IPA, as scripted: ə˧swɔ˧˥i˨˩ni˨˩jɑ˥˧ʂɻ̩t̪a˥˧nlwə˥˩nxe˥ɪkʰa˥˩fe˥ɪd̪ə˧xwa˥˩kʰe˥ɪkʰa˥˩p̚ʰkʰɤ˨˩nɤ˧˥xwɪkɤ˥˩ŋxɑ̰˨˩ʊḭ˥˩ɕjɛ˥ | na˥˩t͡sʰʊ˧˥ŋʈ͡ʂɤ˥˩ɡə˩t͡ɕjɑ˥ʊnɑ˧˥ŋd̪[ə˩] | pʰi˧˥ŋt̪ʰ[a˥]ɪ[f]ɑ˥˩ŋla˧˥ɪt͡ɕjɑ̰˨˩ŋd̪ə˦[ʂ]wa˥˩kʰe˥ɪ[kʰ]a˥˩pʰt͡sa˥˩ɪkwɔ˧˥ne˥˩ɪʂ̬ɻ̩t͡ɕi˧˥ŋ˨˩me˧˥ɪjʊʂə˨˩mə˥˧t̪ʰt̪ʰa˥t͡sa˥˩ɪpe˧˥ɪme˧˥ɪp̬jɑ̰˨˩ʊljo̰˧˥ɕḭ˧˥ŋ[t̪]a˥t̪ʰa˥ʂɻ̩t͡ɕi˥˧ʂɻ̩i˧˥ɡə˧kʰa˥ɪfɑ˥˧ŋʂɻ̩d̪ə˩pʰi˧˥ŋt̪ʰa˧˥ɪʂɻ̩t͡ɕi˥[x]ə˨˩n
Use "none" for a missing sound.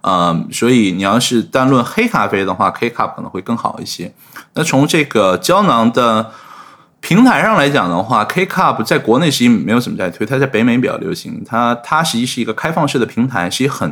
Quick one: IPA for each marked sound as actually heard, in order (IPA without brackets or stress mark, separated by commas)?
ə˧, a˧˥, ʂ, x, kʰ, t̪ʰ, x